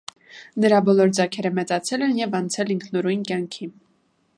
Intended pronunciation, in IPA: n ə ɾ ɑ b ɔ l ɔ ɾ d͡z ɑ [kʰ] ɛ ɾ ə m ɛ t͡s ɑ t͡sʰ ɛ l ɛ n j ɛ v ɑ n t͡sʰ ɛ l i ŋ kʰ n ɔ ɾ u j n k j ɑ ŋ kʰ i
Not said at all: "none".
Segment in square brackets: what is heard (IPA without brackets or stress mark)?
kʰ